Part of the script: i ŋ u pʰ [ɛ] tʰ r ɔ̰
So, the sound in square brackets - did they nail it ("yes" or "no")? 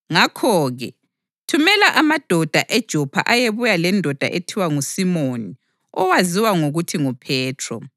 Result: no